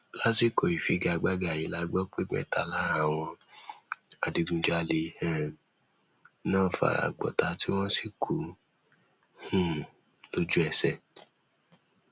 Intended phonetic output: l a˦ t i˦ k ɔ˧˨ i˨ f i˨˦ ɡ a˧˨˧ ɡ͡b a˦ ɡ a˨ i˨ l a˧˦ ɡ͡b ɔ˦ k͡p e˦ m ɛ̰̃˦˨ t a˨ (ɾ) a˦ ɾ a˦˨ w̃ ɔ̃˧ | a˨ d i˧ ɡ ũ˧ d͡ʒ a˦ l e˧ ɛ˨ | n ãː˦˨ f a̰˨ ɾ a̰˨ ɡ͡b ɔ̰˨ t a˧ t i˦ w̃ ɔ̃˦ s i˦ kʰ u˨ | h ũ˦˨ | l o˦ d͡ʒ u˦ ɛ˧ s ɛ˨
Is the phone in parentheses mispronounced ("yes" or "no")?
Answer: yes